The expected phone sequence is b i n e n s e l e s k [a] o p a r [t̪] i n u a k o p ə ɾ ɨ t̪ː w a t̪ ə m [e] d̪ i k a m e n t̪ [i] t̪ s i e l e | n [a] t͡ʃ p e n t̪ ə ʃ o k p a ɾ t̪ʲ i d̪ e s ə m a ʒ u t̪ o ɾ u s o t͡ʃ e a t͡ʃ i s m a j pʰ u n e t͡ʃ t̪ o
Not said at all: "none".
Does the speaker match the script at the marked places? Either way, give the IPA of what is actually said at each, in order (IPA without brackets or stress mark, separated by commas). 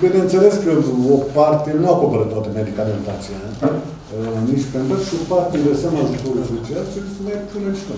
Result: ə, t̪, e, a, i